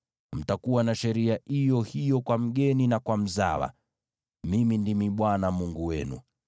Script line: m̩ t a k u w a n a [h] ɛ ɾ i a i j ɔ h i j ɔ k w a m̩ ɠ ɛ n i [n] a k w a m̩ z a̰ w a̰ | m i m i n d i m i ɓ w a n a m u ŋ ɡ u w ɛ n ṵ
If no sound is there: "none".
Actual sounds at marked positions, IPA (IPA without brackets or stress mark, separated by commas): ʃ, n